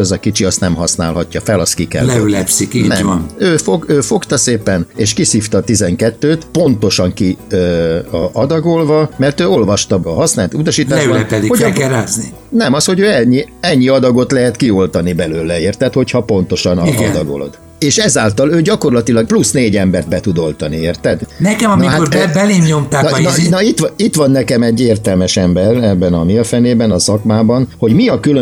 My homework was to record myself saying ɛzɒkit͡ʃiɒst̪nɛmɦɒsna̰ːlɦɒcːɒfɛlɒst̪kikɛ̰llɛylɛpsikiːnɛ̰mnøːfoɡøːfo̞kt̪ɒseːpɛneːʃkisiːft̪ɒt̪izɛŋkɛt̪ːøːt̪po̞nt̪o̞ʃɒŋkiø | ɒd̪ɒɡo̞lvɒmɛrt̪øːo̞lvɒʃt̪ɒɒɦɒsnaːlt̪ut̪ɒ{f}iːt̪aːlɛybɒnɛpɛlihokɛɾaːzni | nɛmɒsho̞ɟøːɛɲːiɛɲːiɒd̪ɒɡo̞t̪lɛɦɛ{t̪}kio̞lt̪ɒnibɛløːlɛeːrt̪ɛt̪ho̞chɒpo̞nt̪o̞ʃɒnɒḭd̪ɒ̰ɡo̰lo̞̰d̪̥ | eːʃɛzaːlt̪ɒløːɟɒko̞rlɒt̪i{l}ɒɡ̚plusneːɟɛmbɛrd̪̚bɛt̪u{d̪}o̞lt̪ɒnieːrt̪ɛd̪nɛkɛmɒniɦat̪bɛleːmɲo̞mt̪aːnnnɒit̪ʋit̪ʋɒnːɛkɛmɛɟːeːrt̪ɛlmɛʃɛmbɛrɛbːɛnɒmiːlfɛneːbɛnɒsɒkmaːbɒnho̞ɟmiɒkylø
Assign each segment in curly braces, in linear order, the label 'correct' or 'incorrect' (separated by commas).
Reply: incorrect, correct, correct, correct